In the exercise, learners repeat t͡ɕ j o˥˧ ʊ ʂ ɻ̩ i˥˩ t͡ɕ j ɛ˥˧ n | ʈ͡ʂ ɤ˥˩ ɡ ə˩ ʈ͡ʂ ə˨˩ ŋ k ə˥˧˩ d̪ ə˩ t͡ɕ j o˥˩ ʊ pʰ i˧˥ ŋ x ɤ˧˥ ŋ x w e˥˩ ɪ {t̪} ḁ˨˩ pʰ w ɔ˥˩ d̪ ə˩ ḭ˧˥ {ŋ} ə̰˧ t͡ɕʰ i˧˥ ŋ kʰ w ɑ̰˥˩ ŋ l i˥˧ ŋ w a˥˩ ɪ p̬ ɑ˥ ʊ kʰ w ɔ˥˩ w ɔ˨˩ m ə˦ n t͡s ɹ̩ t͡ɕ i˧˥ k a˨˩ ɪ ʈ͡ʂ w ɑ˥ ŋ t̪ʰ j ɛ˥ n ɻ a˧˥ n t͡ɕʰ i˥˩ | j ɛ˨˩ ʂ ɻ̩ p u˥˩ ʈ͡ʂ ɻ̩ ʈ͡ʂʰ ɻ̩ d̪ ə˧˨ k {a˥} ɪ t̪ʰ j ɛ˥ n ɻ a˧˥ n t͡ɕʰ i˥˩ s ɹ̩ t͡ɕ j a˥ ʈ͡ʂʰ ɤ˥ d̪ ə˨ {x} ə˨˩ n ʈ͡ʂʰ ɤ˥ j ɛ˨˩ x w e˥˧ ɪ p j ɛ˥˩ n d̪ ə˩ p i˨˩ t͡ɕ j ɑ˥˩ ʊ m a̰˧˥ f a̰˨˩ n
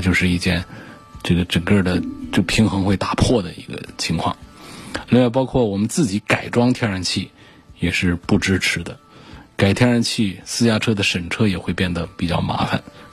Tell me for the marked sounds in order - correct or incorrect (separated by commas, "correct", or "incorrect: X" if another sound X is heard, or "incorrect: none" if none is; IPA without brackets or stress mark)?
correct, incorrect: ɡ, incorrect: a˨˩, incorrect: ʂ